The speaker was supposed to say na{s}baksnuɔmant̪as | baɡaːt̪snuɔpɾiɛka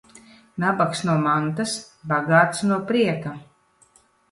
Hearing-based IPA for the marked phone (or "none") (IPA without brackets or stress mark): none